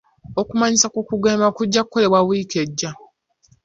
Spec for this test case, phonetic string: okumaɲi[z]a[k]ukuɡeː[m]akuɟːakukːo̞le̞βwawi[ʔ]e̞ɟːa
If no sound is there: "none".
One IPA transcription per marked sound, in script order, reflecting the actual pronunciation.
s, k, m, k

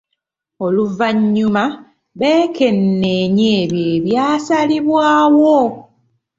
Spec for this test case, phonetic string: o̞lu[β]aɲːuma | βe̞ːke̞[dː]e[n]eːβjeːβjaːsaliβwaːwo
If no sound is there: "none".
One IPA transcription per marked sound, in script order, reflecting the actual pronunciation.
v, nː, ɲ

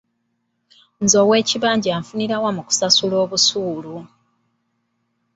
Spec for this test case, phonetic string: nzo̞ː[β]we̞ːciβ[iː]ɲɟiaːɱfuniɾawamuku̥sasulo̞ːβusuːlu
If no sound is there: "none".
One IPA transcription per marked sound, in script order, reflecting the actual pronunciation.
none, aː

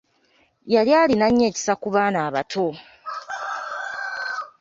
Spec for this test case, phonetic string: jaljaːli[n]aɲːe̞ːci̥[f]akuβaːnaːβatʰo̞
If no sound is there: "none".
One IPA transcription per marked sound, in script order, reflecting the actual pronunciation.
n, s

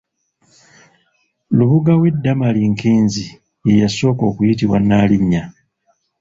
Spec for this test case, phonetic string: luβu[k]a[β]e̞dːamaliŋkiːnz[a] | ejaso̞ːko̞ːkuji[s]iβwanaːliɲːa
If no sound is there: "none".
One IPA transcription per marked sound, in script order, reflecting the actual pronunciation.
ɡ, w, i, t

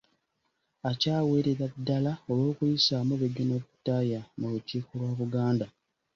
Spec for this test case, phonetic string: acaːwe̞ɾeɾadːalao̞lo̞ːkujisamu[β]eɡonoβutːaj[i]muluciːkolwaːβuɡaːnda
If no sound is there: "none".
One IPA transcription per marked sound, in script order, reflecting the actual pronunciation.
β, a

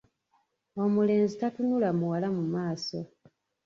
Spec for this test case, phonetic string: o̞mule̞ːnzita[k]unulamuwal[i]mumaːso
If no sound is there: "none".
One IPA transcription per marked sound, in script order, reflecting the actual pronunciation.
t, a

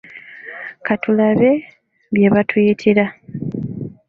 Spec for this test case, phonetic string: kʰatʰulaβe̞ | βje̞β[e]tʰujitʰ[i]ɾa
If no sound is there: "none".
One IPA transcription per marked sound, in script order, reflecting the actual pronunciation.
a, i

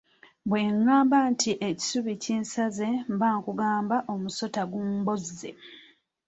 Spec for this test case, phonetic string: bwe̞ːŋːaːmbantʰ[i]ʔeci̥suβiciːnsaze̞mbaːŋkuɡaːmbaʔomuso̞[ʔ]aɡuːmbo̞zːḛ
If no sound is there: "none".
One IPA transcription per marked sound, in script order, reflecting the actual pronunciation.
i, t

